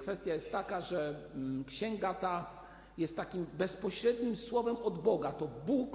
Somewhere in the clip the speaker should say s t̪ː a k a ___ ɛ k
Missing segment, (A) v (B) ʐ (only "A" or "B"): B